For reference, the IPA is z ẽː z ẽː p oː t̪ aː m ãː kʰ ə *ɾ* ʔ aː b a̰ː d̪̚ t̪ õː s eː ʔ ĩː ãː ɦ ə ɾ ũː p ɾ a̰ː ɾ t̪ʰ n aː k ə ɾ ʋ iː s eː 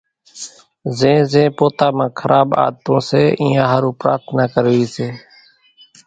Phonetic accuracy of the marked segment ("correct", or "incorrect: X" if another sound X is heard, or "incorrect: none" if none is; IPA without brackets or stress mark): correct